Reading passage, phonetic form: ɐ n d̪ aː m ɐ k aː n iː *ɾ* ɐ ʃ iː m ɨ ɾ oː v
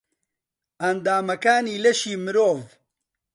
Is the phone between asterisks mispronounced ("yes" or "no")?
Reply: yes